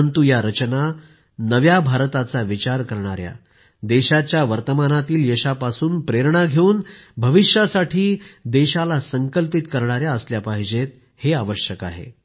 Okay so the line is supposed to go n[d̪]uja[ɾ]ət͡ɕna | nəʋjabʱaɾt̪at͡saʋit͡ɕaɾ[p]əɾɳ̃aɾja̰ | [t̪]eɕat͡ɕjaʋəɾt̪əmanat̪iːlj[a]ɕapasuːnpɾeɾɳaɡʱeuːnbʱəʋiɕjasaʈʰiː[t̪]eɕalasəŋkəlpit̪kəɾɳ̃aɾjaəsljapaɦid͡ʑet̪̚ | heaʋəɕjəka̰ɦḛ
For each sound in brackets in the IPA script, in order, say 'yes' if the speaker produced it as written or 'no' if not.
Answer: no, yes, no, no, no, no

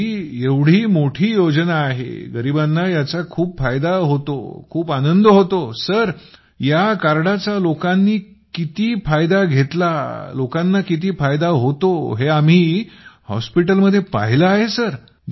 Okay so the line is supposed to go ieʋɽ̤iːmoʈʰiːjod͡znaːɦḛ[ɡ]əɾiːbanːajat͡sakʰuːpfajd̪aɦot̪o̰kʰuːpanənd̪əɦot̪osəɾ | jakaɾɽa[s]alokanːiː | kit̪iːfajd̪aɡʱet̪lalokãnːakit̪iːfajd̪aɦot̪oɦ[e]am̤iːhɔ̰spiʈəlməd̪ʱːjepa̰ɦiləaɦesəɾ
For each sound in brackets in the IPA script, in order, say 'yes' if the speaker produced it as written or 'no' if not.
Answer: yes, no, yes

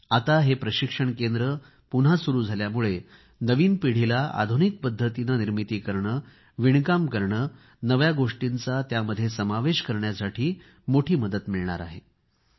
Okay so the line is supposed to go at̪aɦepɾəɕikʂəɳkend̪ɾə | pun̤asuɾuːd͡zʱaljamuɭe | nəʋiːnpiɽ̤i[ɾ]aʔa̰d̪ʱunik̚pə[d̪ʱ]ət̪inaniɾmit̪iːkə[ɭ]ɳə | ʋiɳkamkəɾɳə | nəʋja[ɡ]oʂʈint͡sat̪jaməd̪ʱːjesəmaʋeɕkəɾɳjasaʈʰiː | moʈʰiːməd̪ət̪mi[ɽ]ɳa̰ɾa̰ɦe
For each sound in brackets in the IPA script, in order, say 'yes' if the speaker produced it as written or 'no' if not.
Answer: no, no, no, yes, no

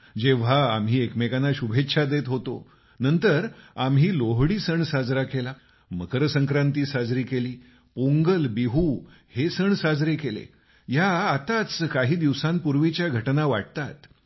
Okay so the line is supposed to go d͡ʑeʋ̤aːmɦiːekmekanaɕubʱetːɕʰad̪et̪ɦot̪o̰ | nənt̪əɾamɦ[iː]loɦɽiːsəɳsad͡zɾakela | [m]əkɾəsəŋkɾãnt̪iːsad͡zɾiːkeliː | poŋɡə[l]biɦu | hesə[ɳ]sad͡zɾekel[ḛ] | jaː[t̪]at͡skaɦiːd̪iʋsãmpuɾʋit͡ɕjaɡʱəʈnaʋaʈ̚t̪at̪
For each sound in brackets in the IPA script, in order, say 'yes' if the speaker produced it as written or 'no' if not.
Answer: yes, yes, yes, yes, yes, yes

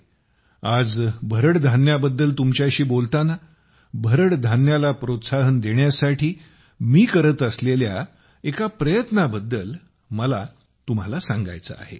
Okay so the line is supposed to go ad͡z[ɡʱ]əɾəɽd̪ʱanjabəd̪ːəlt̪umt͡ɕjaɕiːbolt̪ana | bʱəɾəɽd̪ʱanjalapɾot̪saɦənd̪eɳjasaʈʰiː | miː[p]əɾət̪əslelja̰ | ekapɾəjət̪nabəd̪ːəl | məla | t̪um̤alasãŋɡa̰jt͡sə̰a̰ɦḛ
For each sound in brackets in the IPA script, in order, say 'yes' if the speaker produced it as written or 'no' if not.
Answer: no, no

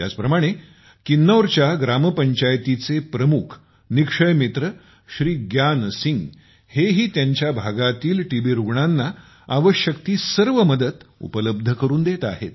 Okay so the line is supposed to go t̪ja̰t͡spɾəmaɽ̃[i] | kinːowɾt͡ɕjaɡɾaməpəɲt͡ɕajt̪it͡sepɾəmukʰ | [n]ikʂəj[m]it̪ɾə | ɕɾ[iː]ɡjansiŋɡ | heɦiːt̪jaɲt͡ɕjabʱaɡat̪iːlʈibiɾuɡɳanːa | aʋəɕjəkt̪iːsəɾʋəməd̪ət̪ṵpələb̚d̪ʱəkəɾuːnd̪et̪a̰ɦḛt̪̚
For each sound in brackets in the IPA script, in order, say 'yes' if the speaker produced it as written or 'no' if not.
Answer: no, yes, yes, yes

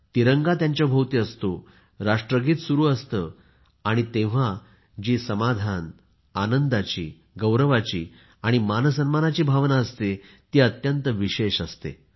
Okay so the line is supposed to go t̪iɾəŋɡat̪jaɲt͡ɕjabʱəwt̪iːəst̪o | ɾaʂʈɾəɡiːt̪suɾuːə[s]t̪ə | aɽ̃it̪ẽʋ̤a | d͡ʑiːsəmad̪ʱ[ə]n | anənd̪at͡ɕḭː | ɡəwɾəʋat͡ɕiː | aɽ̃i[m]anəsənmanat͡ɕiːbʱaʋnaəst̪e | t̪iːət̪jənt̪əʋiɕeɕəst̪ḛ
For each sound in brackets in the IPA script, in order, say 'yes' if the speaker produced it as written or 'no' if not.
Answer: yes, no, yes

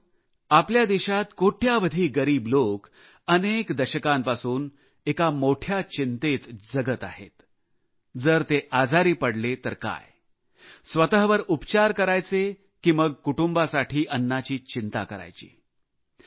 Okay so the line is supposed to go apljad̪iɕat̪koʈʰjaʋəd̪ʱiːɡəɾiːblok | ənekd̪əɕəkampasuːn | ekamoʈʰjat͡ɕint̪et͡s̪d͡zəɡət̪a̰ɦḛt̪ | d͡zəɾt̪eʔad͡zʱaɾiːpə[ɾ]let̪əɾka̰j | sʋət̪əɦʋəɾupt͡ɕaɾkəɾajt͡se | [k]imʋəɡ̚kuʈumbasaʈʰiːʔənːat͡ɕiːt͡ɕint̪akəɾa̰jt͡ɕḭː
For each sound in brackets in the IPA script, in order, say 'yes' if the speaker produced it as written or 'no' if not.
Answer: no, yes

